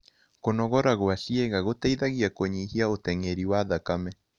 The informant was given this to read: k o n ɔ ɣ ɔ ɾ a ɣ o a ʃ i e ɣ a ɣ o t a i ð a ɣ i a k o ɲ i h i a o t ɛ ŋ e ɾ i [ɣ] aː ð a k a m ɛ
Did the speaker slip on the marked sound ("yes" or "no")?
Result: yes